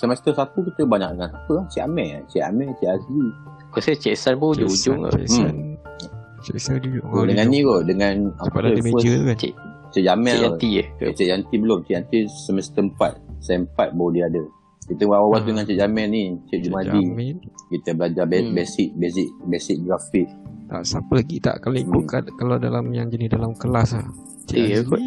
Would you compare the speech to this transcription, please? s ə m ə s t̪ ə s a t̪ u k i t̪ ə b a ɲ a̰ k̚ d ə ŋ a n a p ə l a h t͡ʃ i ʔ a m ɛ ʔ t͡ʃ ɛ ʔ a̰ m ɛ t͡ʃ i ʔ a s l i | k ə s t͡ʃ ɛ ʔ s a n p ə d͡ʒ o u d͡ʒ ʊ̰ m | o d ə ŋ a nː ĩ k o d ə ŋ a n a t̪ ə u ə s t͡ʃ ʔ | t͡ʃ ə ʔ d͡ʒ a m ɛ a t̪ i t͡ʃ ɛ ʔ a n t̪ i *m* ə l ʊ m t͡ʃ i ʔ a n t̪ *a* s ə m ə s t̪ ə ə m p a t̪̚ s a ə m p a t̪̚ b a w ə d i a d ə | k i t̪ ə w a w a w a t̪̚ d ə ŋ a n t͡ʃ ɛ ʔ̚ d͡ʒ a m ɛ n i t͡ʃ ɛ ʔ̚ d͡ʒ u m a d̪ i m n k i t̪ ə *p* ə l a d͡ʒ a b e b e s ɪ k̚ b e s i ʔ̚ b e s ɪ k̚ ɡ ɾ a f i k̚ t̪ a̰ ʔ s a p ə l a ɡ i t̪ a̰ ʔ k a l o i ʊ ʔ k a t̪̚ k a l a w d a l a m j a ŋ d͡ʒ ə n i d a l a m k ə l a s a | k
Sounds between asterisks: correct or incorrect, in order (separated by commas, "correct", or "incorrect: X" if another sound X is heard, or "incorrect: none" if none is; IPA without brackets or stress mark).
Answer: incorrect: b, incorrect: i, incorrect: b